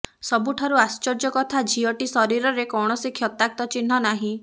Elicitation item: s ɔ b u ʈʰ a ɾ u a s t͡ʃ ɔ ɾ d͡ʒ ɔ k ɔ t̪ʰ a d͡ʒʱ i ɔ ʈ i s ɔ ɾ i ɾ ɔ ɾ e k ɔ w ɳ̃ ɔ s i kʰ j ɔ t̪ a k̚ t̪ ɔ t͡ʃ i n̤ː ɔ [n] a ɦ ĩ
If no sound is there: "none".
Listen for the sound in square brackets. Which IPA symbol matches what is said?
n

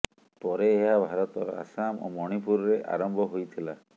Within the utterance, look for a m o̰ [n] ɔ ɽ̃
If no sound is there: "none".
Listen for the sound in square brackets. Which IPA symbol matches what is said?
m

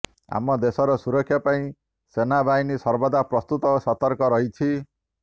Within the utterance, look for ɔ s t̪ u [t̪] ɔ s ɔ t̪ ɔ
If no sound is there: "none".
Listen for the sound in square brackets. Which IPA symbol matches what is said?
t̪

